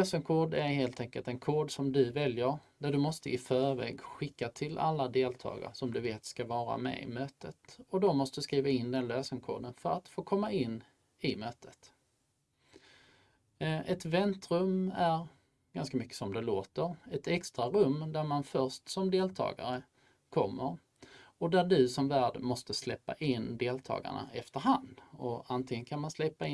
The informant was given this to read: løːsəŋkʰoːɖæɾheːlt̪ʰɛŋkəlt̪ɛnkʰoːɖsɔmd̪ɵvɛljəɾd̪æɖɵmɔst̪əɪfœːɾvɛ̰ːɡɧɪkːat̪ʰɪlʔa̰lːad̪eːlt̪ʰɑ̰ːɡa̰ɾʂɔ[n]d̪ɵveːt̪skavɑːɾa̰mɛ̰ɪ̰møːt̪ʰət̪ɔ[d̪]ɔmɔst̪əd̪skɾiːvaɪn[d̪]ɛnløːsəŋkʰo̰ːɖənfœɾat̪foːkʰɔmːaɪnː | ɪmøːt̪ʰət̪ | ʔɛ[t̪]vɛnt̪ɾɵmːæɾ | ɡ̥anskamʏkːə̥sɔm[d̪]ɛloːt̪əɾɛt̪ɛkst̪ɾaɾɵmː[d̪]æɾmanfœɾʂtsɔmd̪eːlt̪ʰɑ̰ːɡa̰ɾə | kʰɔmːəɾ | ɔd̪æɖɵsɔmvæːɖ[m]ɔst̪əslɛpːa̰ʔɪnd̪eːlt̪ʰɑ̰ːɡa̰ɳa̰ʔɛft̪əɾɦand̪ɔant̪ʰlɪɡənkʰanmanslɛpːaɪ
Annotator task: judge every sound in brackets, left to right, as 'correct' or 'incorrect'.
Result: incorrect: m, correct, correct, correct, correct, correct, correct

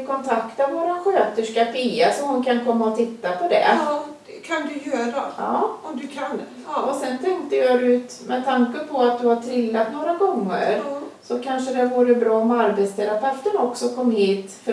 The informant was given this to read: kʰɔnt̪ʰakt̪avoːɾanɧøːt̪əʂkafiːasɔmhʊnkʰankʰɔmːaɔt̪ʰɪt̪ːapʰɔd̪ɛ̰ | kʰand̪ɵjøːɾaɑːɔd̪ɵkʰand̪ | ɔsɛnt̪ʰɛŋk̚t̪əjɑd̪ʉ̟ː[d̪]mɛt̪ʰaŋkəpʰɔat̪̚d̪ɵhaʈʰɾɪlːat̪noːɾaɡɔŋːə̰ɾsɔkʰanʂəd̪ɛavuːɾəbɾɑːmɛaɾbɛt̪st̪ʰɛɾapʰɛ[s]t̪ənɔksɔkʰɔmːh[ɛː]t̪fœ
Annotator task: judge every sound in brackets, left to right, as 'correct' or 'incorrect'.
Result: incorrect: t̪, incorrect: f, incorrect: iː

